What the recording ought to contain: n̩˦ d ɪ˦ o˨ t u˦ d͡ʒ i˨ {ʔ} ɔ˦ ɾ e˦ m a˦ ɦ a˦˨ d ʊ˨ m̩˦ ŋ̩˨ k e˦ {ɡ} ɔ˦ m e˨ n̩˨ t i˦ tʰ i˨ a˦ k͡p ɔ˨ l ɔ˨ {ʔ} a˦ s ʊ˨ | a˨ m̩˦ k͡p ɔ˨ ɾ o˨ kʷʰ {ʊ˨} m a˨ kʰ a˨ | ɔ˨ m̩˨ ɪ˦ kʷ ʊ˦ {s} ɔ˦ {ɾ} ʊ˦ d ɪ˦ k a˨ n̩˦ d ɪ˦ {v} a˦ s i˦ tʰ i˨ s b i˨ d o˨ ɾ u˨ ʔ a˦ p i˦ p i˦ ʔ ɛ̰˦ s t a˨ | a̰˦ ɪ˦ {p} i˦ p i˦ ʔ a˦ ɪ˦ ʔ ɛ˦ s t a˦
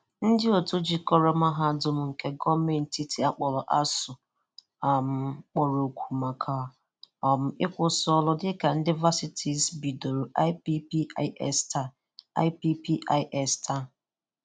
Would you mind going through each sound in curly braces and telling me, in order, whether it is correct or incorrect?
incorrect: k, correct, correct, incorrect: u˨, correct, incorrect: l, correct, correct

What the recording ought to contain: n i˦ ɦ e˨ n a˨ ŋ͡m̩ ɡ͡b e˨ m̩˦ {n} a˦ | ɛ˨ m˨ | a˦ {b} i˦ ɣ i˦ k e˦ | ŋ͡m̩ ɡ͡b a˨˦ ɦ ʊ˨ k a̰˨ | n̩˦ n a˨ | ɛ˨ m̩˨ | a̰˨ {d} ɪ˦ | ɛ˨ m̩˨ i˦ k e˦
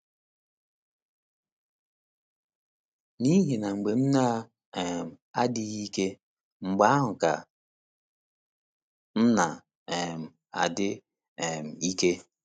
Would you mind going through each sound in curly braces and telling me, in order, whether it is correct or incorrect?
correct, incorrect: d, correct

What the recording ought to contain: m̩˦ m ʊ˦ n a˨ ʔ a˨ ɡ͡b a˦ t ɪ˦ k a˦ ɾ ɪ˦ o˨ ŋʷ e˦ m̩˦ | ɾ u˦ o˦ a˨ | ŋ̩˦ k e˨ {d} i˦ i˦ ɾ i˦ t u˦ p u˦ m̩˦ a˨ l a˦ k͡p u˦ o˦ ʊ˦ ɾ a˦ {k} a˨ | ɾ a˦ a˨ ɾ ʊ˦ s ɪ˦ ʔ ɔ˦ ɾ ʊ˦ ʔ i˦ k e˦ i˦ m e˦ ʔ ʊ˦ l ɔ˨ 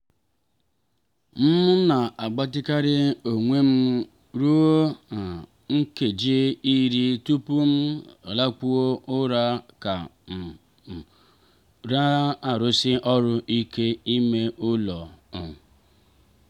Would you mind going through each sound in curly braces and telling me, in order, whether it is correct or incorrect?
incorrect: d͡ʒ, correct

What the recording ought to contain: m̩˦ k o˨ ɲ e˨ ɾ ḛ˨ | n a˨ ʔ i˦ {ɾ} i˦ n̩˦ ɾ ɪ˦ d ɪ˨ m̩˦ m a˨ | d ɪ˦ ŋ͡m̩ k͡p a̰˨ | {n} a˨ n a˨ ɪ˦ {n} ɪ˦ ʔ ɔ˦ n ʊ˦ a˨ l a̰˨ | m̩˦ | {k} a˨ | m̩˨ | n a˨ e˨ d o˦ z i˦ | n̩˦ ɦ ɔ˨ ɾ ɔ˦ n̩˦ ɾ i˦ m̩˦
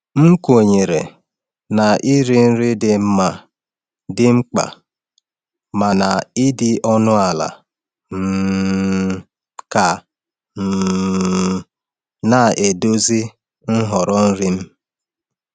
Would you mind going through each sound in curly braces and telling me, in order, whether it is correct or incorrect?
correct, incorrect: m, incorrect: d, correct

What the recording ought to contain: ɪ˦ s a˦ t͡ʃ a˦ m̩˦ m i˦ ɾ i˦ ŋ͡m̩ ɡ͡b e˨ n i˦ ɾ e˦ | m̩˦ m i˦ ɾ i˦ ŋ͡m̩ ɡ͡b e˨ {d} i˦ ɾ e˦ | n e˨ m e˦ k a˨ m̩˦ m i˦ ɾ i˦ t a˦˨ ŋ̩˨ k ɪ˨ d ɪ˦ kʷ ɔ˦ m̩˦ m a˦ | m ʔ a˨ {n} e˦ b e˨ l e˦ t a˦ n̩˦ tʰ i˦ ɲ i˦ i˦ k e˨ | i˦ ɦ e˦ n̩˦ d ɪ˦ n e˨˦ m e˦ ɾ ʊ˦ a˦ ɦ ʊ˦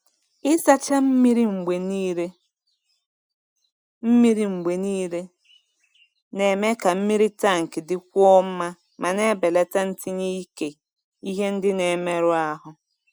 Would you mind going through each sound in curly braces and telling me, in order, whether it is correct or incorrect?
incorrect: n, correct

